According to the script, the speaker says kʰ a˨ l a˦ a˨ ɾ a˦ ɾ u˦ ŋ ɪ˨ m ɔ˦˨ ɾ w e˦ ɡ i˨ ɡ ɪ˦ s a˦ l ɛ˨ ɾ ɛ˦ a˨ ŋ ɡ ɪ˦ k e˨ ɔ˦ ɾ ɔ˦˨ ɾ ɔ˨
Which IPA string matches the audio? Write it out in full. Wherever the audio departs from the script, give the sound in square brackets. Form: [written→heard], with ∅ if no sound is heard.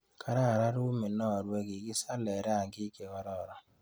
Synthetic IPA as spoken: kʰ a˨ [l→ɾ] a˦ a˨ ɾ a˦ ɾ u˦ [ŋ→m] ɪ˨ [m→n] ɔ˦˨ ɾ w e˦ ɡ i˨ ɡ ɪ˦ s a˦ l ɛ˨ ɾ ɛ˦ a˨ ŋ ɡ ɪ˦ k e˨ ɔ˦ ɾ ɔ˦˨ ɾ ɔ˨

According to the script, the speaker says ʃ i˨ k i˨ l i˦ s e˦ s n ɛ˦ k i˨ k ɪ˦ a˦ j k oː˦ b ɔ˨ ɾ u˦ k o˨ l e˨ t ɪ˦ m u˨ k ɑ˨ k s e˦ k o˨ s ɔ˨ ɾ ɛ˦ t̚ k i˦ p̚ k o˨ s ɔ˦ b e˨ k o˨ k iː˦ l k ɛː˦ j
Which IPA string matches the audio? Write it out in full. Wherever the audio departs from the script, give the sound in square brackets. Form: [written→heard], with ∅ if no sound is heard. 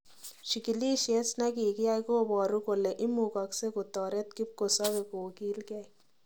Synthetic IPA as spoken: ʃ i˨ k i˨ l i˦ [s→ʃ] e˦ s n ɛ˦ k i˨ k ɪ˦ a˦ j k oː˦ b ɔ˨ ɾ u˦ k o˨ l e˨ [t→ʔ] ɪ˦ m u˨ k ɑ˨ k s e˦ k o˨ [s→t] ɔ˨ ɾ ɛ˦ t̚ k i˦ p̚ k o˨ s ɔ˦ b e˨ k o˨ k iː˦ l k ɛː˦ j

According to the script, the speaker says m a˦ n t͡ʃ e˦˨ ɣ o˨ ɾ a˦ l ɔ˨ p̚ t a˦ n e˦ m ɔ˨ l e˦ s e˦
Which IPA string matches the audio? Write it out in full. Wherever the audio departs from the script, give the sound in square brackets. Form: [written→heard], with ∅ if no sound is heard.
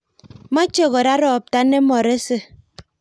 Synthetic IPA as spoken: m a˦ [n→∅] t͡ʃ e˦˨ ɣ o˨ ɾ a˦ [l→ɾ] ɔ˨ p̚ t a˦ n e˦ m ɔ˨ [l→ɾ] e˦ s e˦

